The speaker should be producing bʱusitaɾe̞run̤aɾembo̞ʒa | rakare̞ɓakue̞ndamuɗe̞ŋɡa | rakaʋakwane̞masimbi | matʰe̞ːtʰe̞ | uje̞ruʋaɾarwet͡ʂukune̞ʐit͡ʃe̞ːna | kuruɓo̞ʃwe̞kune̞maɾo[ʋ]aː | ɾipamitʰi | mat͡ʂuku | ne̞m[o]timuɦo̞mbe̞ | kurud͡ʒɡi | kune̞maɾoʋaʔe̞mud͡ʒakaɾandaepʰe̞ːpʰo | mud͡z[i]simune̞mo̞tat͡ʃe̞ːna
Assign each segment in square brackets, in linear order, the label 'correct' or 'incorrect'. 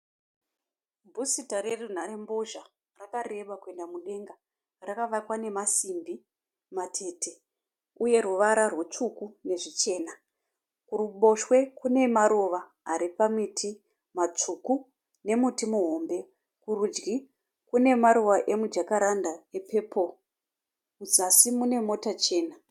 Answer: correct, incorrect, incorrect

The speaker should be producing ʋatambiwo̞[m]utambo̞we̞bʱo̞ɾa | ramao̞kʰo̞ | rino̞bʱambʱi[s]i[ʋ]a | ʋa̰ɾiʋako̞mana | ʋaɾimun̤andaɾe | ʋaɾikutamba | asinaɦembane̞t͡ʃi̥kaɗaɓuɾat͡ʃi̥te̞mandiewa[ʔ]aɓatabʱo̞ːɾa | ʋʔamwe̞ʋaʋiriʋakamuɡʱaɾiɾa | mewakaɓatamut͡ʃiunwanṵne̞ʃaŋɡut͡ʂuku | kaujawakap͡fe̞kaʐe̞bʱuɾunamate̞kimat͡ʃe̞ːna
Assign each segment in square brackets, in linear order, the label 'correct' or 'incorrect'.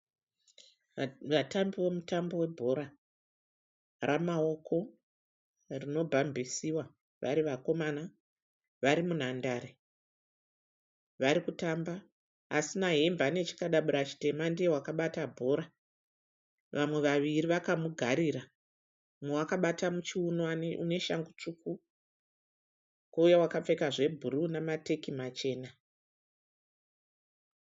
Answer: correct, correct, incorrect, incorrect

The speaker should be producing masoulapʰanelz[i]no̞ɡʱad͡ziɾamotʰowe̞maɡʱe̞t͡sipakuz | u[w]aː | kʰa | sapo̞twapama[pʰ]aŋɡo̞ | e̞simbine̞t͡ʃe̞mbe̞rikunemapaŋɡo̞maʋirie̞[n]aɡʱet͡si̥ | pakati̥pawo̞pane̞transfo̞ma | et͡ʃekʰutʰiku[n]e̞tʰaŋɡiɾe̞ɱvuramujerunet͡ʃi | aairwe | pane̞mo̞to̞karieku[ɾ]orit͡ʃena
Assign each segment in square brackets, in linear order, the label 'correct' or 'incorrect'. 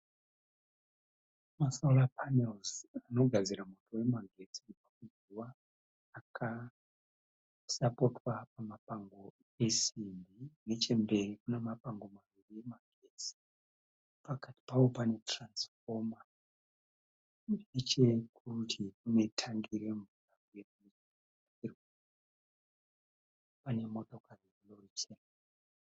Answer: incorrect, correct, incorrect, incorrect, correct, incorrect

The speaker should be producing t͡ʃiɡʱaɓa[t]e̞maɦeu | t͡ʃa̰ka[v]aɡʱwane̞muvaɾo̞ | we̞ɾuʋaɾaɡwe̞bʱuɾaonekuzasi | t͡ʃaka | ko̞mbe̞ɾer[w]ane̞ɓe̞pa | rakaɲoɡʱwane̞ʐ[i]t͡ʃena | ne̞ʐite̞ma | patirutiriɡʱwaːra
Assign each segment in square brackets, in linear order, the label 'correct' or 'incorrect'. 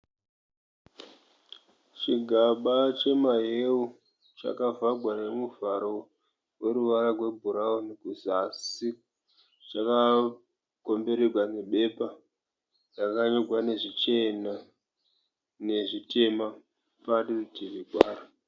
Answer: incorrect, correct, correct, correct

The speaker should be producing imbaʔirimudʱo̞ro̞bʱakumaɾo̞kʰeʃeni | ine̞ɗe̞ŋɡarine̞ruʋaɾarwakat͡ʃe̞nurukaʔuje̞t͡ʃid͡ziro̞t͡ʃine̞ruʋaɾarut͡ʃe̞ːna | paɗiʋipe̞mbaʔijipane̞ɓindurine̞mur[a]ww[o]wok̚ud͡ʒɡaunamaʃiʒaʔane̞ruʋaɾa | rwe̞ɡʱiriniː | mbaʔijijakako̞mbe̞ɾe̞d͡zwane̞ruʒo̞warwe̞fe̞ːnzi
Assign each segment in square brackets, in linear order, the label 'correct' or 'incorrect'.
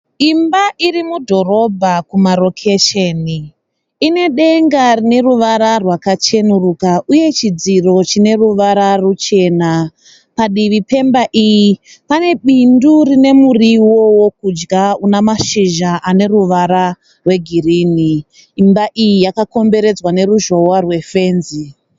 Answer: incorrect, correct

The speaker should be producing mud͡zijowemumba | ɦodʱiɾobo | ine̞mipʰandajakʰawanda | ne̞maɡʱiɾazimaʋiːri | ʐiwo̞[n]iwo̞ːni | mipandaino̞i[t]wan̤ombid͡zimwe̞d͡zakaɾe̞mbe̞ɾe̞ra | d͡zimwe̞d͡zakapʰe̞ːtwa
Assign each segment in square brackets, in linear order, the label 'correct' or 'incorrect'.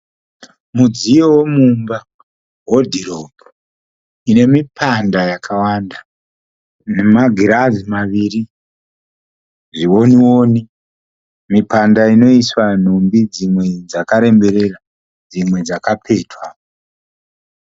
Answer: correct, incorrect

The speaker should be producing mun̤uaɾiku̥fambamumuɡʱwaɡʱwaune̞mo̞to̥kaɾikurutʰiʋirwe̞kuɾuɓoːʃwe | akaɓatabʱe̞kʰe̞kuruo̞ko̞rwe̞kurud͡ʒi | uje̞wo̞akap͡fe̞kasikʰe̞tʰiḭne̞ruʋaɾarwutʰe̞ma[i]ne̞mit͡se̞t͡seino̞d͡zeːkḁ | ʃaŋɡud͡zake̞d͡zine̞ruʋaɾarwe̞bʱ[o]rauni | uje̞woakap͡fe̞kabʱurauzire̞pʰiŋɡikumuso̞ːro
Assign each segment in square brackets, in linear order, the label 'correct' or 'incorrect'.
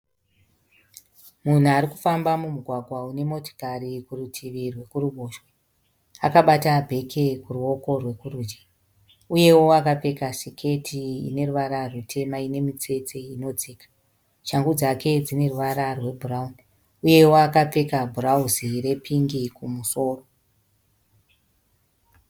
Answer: correct, incorrect

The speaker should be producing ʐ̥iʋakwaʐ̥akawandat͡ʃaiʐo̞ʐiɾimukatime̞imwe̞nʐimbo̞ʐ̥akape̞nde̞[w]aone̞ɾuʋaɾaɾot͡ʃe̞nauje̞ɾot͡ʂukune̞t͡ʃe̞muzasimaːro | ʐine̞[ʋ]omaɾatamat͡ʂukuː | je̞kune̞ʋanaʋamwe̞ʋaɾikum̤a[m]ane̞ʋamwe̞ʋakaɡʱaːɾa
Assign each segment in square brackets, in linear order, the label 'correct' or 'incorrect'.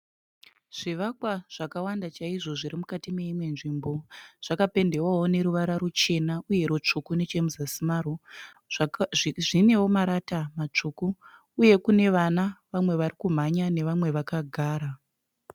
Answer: correct, incorrect, incorrect

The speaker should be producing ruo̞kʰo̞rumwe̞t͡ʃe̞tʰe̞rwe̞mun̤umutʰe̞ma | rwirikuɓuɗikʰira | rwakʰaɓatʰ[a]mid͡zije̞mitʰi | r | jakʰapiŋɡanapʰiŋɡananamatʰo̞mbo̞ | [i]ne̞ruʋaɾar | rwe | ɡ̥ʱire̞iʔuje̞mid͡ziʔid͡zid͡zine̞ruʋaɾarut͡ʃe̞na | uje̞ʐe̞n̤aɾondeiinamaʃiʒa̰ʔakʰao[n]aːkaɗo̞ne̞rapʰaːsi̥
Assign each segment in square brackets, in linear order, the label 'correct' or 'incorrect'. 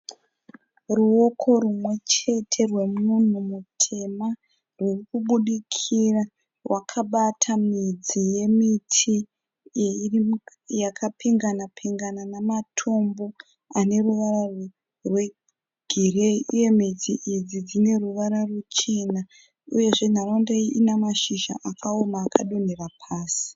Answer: correct, incorrect, incorrect

